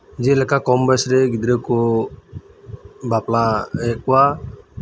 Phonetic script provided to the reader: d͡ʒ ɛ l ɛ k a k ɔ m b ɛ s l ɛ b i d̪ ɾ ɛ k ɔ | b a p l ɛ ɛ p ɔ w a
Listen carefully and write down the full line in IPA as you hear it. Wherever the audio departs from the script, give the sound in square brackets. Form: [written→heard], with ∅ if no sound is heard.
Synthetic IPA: d͡ʒ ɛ l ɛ k a k ɔ m b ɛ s [l→ɾ] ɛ [b→ɡ] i d̪ ɾ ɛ k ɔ | b a p l [ɛ→a] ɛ [p→k] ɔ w a